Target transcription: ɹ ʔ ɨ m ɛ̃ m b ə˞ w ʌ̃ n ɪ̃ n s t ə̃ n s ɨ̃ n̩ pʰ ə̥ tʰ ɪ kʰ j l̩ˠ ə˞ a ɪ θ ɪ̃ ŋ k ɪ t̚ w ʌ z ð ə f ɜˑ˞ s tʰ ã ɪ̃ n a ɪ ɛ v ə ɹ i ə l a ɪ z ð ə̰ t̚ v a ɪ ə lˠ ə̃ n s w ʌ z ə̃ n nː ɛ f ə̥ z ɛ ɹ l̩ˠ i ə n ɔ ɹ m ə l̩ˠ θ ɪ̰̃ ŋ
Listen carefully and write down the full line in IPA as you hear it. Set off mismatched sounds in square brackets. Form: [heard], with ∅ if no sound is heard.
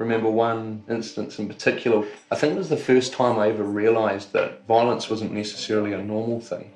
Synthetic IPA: ɹ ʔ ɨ m ɛ̃ m b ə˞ w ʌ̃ n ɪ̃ n s t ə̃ n s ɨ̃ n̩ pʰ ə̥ tʰ ɪ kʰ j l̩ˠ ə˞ a ɪ θ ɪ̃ ŋ k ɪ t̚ w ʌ z ð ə f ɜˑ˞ s tʰ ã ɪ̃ [m] a ɪ ɛ v ə ɹ i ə l a ɪ z ð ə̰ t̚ v a ɪ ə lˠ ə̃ n s w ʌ z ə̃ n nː ɛ [s] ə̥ [s] ɛ ɹ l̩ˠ i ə n ɔ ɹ m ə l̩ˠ θ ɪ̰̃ ŋ